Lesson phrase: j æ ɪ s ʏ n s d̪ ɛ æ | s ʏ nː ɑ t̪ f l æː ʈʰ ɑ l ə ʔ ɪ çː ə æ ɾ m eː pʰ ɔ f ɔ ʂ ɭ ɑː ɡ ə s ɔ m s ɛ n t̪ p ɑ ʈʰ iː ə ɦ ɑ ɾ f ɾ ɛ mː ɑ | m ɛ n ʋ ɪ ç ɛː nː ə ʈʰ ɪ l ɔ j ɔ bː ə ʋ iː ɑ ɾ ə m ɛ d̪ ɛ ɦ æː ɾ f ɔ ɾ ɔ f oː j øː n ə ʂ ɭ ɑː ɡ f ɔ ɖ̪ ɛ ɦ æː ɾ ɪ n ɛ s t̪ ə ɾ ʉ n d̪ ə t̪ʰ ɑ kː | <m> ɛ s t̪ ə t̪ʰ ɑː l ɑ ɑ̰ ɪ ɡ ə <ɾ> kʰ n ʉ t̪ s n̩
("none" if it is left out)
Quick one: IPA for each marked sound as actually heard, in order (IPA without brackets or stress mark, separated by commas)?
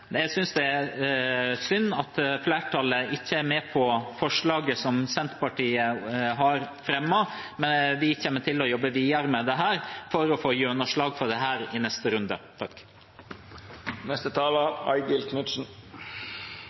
n, l